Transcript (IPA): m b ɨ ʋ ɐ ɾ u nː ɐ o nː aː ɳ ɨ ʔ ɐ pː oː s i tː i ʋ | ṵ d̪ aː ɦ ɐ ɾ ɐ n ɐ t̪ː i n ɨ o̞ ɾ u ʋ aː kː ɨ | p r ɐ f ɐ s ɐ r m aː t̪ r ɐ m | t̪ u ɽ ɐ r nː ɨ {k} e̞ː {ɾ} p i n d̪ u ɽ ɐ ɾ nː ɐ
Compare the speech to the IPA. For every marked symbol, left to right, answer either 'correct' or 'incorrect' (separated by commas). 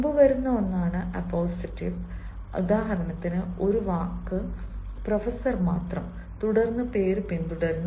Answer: incorrect, correct